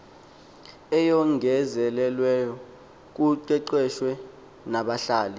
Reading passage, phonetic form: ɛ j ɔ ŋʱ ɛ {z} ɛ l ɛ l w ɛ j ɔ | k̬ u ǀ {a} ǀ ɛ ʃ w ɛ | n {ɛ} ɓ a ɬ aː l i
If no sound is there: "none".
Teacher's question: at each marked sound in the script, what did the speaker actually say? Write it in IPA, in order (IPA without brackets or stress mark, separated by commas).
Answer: z, ɛ, a